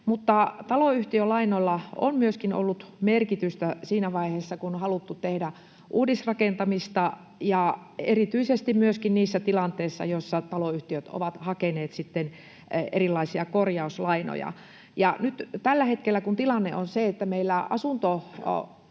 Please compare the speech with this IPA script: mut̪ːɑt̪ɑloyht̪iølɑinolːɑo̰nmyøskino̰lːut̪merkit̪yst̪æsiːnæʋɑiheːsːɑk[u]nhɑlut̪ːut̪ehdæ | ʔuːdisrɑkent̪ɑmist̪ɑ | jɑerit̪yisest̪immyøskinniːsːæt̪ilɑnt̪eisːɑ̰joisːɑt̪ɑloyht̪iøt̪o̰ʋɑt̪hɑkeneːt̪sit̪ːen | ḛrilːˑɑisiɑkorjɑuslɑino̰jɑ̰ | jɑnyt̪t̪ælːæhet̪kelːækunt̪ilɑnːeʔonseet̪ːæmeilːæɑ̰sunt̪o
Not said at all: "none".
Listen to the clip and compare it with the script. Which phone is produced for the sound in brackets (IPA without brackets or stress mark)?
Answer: u